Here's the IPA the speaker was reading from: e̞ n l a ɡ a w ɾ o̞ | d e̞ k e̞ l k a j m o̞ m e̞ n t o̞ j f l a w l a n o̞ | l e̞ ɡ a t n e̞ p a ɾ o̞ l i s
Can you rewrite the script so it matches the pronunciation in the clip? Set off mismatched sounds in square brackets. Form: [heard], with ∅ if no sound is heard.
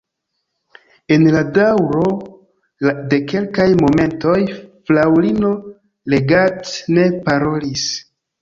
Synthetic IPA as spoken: e̞ n l a [d] a w ɾ o̞ | d e̞ k e̞ l k a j m o̞ m e̞ n t o̞ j f l a w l [i] n o̞ | l e̞ ɡ a t n e̞ p a ɾ o̞ l i s